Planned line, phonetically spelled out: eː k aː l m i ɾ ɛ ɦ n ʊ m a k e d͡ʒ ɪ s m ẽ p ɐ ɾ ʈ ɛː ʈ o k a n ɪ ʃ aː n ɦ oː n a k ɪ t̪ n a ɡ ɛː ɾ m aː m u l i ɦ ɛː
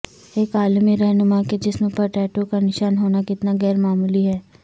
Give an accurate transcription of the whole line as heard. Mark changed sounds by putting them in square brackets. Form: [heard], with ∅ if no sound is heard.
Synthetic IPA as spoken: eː k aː l m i ɾ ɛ ɦ n ʊ m a k e d͡ʒ ɪ s m ẽ p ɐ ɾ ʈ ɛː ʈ o k a n ɪ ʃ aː n ɦ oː n a k ɪ t̪ n a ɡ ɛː ɾ m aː m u l i ɦ ɛː